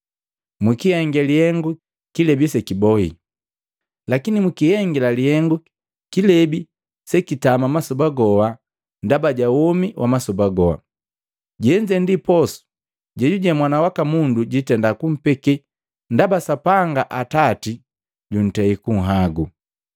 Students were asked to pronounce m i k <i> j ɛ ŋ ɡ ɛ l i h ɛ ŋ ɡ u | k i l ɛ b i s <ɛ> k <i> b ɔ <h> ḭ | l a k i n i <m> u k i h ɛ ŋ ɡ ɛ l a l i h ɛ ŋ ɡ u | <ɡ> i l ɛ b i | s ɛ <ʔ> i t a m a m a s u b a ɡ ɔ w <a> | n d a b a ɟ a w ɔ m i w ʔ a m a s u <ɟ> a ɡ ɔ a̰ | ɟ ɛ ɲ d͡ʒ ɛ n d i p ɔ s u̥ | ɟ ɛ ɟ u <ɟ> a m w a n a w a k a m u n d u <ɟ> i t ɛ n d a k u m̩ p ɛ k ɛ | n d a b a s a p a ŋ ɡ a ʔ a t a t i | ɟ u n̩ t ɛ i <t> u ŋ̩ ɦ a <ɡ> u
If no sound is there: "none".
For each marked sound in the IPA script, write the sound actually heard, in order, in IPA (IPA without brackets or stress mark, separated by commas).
i, ɛ, i, h, m, k, k, a, b, ɟ, ɟ, k, ɡ